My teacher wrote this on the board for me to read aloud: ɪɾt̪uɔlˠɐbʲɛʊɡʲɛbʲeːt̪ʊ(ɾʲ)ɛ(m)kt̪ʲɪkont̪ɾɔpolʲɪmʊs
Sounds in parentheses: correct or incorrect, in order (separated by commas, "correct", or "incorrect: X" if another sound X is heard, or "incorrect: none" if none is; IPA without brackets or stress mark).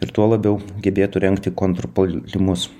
correct, incorrect: ŋ